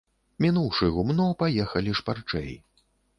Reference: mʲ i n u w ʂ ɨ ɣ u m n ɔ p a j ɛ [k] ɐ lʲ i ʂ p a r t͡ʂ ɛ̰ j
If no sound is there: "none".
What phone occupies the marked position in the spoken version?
x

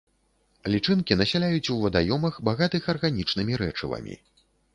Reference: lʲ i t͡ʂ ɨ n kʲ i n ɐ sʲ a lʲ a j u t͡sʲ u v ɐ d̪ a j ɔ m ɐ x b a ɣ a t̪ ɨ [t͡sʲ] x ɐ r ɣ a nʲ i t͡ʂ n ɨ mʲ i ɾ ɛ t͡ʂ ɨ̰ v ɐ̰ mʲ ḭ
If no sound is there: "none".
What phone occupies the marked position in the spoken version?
none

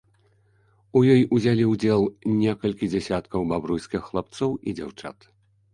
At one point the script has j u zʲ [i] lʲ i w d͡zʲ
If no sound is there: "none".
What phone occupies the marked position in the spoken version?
a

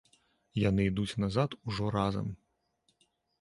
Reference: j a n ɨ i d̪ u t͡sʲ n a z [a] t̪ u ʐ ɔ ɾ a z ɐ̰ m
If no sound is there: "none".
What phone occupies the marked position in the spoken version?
a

